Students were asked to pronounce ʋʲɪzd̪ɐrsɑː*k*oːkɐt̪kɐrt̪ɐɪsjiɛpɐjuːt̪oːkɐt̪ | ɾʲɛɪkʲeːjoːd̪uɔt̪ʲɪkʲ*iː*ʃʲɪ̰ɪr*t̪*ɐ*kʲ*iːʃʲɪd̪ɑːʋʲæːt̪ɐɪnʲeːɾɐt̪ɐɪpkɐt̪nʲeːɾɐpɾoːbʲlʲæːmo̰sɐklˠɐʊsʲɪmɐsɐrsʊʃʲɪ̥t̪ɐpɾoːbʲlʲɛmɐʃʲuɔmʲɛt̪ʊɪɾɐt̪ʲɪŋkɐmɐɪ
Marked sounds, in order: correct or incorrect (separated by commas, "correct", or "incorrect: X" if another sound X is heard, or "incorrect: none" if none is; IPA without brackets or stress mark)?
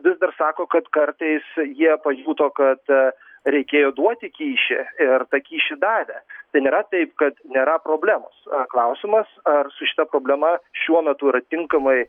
correct, correct, correct, correct